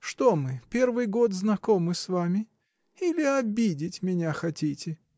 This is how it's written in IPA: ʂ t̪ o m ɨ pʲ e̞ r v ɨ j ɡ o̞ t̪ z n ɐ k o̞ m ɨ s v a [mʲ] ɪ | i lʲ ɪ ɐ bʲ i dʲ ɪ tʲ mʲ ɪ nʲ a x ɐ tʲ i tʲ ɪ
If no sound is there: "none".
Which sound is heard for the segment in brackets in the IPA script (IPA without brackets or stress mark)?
mʲ